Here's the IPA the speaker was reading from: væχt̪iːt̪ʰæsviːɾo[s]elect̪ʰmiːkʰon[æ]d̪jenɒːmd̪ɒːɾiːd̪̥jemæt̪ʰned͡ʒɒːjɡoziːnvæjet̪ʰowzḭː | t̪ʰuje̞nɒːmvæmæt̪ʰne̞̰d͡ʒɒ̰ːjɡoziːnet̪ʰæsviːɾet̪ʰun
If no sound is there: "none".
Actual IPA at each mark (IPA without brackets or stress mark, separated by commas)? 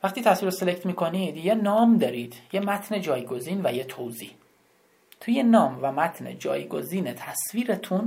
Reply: s, i